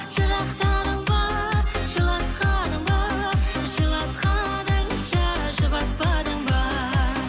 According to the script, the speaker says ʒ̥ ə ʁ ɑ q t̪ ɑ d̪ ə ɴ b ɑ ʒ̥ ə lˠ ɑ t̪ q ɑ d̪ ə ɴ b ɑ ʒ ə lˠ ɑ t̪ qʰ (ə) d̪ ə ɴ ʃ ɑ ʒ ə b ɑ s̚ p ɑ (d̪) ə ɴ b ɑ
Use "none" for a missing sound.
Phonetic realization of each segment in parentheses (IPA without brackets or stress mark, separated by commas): ɑ, d̪